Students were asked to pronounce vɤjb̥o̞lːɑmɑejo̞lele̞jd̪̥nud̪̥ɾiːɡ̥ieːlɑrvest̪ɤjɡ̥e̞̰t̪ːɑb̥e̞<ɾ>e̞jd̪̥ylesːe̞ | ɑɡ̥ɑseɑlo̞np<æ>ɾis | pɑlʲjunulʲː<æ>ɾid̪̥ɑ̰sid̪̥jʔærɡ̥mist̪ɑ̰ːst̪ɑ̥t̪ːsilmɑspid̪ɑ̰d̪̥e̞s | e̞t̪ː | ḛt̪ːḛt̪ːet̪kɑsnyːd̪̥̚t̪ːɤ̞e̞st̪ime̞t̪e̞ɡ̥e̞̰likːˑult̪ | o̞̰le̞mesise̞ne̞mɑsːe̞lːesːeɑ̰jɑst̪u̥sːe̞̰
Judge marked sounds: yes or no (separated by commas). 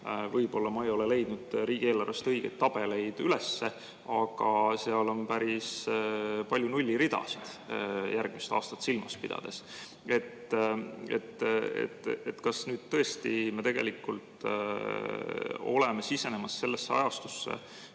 no, yes, no